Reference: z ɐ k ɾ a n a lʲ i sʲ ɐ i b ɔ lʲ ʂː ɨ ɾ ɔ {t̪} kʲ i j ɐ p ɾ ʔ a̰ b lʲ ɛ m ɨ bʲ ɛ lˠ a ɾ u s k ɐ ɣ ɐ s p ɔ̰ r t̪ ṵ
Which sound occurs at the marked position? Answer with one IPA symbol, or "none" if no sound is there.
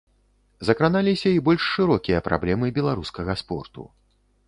none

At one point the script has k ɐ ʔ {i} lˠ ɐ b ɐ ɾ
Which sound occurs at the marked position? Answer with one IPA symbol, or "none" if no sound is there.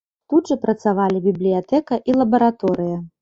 i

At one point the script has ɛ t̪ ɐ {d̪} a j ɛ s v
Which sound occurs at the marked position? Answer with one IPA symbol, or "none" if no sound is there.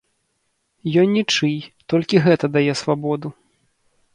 d̪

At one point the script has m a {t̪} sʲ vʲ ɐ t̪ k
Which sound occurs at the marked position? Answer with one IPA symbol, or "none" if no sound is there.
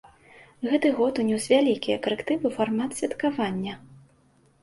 t̪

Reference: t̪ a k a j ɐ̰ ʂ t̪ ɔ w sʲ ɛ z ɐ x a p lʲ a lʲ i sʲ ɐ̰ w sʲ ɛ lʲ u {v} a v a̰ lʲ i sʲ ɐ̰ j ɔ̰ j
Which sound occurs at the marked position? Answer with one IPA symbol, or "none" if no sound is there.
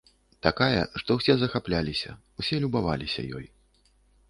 b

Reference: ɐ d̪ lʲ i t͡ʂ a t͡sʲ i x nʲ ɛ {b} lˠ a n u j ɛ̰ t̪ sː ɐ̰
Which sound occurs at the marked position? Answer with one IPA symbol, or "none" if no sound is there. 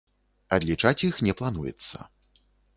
p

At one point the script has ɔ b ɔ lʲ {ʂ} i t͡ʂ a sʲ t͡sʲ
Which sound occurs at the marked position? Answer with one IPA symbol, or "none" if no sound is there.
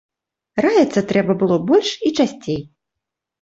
ʂ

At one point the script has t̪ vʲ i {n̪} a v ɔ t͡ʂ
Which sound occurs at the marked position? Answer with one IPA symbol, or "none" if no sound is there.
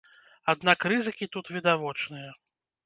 d̪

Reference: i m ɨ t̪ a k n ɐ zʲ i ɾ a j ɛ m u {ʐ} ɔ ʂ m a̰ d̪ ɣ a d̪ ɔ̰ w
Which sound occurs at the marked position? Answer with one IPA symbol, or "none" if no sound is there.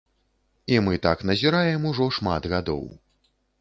ʐ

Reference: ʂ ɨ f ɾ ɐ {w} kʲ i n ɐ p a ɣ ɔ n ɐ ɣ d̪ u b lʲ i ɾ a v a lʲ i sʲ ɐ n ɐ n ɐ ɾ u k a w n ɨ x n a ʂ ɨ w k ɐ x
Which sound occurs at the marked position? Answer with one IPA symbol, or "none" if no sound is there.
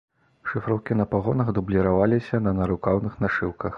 w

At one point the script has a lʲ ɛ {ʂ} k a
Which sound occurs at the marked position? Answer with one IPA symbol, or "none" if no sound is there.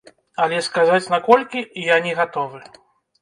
s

